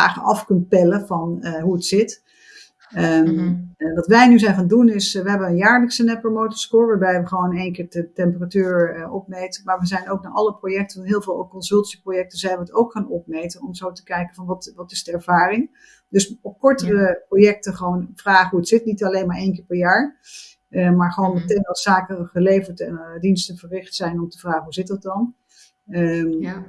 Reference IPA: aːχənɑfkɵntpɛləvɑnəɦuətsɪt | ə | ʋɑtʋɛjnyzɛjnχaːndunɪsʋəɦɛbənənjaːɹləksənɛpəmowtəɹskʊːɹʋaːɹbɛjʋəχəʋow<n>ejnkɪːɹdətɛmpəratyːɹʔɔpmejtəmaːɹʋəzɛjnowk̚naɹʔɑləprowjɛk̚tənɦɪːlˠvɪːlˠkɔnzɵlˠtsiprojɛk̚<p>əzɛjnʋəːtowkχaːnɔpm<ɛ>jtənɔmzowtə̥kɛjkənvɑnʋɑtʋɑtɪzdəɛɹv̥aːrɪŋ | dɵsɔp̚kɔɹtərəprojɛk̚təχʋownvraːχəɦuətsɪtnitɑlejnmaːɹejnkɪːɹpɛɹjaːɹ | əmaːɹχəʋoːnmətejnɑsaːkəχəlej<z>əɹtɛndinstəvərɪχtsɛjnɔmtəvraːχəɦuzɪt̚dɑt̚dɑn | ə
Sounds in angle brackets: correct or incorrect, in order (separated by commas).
correct, incorrect, incorrect, incorrect